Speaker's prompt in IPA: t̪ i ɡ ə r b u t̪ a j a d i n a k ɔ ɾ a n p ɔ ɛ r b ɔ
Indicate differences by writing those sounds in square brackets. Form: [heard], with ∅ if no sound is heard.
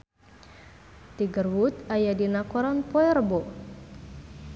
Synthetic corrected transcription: t̪ i ɡ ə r [w] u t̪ a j a d i n a k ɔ ɾ a n p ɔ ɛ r b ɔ